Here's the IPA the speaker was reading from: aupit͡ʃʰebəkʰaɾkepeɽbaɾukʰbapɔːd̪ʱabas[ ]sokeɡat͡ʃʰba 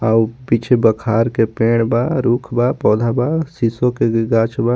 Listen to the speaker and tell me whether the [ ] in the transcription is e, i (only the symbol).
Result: i